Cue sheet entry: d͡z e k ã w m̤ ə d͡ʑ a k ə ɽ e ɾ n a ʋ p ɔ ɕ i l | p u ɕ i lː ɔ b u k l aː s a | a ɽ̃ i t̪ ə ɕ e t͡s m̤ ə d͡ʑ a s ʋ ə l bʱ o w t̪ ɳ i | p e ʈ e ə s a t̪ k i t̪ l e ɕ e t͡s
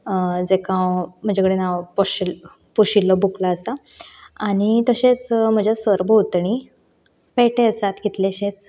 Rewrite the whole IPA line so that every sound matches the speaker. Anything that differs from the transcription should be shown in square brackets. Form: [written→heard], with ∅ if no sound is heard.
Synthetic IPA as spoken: d͡z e k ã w m̤ ə d͡ʑ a k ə ɽ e [ɾ→∅] n a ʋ p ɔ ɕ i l | p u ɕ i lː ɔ b u k l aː s a | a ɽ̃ i t̪ ə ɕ e t͡s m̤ ə d͡ʑ a s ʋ ə [l→ɾ] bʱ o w t̪ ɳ i | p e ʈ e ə s a t̪ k i t̪ l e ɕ e t͡s